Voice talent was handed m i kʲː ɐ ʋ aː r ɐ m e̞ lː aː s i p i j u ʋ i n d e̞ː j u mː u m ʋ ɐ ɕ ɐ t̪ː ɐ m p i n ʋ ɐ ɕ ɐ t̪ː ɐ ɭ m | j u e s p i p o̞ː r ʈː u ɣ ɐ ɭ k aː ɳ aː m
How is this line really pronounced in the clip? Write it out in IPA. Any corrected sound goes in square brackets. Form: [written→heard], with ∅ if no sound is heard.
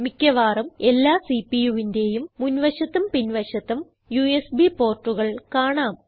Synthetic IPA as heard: m i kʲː ɐ ʋ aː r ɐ m e̞ lː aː s i p i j u ʋ i n d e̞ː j u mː u [m→n] ʋ ɐ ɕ ɐ t̪ː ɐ m p i n ʋ ɐ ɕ ɐ t̪ː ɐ [ɭ→∅] m | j u e s [p→b] i p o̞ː r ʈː u ɣ ɐ ɭ k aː ɳ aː m